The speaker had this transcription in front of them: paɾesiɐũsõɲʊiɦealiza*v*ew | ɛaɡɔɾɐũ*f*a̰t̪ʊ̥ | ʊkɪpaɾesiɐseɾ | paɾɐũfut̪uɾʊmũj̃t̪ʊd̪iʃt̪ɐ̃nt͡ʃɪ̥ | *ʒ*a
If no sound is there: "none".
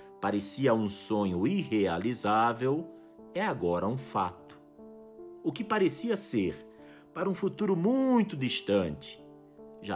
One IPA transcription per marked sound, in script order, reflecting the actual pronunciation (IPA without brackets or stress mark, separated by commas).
v, f, ʒ